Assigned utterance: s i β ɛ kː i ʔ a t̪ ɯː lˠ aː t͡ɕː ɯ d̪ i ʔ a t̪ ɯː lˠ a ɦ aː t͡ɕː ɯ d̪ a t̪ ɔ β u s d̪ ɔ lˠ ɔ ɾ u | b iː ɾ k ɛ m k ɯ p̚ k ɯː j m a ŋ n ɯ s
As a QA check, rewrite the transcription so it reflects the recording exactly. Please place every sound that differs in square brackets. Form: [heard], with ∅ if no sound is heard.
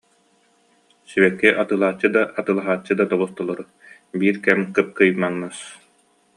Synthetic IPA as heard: s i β ɛ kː i ʔ a t̪ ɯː lˠ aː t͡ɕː ɯ d̪ [a] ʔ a t̪ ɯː lˠ a ɦ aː t͡ɕː ɯ d̪ a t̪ ɔ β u s [t̪] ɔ lˠ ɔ ɾ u | b iː ɾ k ɛ m k ɯ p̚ k [ɯ] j m a ŋ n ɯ s

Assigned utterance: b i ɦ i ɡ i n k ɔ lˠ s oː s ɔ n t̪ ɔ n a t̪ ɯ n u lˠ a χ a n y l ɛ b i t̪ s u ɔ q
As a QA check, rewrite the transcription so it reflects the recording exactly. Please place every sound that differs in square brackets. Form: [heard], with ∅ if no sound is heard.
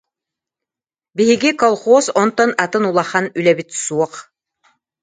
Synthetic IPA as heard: b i ɦ i ɡ i [∅] k ɔ lˠ [χ] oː s ɔ n t̪ ɔ n a t̪ ɯ n u lˠ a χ a n y l ɛ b i t̪ s u ɔ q

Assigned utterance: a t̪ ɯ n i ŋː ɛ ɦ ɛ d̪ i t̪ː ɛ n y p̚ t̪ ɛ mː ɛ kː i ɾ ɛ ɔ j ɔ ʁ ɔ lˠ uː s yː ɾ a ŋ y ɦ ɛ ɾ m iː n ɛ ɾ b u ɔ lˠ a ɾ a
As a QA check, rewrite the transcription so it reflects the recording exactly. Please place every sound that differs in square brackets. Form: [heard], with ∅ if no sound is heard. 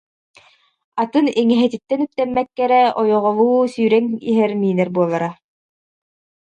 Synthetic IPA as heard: a t̪ ɯ n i [ŋ] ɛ ɦ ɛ [t̪] i t̪ː ɛ n y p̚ t̪ ɛ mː ɛ kː [ɛ] ɾ ɛ ɔ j ɔ ʁ ɔ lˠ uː s yː ɾ [ɛ] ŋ [i] ɦ ɛ ɾ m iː n ɛ ɾ b u ɔ lˠ a ɾ a

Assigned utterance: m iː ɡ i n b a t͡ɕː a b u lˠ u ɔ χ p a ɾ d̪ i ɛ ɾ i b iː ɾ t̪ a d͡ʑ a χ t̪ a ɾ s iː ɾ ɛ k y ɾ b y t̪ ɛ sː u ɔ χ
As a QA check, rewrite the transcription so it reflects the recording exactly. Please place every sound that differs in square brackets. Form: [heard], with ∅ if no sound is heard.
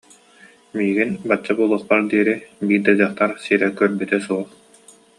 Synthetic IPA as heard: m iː ɡ i n b a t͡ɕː a b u lˠ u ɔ χ p a ɾ d̪ i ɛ ɾ i b iː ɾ [d̪] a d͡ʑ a χ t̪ a ɾ s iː ɾ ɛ k [œ] ɾ b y t̪ ɛ [s] u ɔ χ

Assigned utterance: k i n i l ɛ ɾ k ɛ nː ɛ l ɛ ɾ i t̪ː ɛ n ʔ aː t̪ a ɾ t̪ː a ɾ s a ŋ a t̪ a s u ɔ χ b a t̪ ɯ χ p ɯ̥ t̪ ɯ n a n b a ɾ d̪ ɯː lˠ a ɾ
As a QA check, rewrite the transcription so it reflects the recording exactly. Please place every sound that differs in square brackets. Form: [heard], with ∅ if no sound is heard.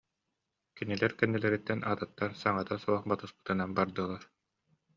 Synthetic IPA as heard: k i n i l ɛ ɾ k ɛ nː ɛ l ɛ ɾ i t̪ː ɛ n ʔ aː t̪ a [∅] t̪ː a ɾ s a ŋ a t̪ a s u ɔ χ b a t̪ ɯ [s] p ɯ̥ t̪ ɯ n a n b a ɾ d̪ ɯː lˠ a ɾ

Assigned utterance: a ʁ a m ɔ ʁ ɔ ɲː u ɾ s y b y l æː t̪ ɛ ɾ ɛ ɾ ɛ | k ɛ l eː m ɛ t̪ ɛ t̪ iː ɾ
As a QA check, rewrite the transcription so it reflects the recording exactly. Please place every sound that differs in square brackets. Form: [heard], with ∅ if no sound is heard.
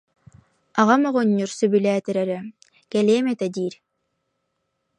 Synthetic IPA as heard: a ʁ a m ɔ ʁ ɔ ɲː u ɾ s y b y l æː t̪ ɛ ɾ ɛ ɾ ɛ | k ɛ l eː m ɛ t̪ ɛ [d̪] iː ɾ

